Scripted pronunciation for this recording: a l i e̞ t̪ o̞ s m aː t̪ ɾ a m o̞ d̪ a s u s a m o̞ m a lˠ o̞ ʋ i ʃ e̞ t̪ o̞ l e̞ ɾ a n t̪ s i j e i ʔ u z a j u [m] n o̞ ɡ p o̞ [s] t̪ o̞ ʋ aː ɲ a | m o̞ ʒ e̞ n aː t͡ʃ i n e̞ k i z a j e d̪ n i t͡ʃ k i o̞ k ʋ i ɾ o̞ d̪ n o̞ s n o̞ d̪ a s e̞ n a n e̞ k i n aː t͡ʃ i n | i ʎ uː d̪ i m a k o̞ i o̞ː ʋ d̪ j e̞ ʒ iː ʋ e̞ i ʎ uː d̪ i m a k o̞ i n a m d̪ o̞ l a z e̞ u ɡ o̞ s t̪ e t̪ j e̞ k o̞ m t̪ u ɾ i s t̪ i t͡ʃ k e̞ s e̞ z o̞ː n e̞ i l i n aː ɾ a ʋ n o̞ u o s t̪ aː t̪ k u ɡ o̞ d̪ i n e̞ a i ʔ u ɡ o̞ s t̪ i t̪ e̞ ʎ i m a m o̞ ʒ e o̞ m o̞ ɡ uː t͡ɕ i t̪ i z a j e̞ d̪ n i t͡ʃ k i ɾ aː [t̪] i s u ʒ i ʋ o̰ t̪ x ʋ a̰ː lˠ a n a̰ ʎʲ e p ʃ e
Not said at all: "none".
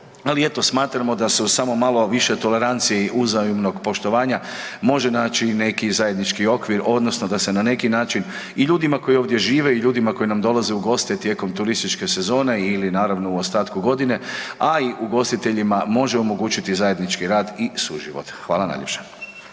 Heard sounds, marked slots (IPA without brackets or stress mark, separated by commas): m, ʃ, d̪